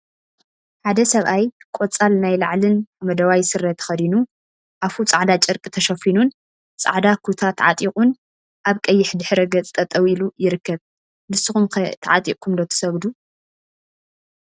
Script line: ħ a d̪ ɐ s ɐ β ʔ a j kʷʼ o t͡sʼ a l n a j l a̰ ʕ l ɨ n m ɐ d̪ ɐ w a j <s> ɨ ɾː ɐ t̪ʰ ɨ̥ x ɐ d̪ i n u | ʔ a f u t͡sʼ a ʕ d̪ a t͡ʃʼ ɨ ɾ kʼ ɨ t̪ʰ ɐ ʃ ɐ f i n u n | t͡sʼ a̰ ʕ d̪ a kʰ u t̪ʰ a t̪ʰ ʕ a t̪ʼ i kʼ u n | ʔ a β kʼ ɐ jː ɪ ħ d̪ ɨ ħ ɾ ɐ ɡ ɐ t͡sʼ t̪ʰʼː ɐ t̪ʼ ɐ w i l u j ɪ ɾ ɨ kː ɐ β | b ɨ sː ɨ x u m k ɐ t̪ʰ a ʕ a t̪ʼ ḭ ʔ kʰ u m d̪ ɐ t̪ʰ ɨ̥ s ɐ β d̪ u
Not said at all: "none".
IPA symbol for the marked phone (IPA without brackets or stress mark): s